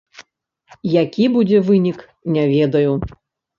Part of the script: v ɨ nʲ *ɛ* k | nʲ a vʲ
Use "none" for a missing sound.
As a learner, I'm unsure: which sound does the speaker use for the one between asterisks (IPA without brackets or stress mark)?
i